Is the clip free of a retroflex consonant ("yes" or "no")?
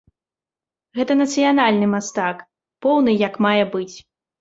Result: yes